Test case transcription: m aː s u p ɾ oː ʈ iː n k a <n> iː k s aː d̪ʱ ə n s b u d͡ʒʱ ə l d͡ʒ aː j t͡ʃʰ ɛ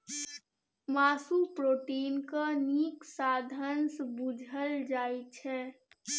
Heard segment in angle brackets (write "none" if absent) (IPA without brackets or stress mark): n